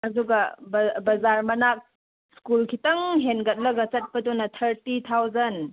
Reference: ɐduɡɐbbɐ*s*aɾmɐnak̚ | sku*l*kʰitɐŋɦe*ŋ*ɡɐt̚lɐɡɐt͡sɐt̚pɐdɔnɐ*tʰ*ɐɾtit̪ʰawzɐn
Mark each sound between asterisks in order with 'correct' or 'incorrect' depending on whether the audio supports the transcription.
incorrect: z, correct, incorrect: n, correct

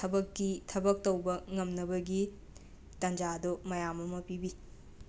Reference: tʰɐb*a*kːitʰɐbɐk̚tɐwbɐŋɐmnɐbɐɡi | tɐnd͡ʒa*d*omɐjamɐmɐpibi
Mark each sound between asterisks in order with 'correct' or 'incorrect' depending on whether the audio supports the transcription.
incorrect: ɐ, correct

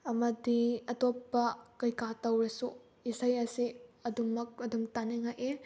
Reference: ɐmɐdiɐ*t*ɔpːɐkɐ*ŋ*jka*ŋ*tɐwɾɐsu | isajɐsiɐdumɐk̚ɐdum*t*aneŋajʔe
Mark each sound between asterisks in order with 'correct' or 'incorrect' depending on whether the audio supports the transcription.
correct, incorrect: none, incorrect: none, correct

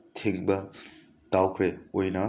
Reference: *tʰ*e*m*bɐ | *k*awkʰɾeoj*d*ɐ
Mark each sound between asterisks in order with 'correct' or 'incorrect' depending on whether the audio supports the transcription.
correct, incorrect: ŋ, incorrect: t, incorrect: n

